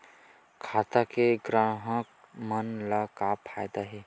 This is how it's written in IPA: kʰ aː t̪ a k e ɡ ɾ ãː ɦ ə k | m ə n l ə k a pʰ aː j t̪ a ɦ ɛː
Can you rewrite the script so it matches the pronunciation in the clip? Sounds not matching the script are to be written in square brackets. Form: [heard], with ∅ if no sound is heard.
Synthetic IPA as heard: kʰ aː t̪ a k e ɡ ɾ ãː ɦ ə k | m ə n l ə k a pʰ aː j [d̪] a ɦ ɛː